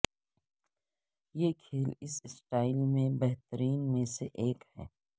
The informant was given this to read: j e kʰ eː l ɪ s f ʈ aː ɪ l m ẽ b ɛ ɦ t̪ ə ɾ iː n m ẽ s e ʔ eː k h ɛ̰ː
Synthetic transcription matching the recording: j e kʰ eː l ɪ s s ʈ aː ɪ l m ẽ b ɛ ɦ t̪ ə ɾ iː n m ẽ s e ʔ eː k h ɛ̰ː